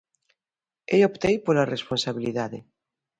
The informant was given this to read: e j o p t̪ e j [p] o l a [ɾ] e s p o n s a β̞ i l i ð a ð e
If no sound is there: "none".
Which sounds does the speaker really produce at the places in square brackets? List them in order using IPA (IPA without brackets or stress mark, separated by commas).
p, r